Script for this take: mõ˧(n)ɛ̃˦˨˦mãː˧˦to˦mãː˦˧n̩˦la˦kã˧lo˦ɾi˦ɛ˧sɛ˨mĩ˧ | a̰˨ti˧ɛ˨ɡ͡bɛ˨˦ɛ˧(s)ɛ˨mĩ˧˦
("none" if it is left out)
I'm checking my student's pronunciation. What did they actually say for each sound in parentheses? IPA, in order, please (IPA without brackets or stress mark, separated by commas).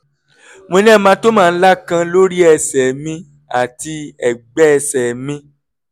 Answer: n, s